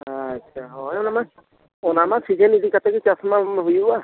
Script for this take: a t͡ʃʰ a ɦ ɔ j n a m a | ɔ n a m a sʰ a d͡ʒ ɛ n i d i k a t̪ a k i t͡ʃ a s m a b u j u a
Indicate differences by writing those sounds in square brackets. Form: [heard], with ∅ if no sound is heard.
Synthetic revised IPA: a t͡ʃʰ a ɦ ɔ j n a m a | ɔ n a m a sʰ [i] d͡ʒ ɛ n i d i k a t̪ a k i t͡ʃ a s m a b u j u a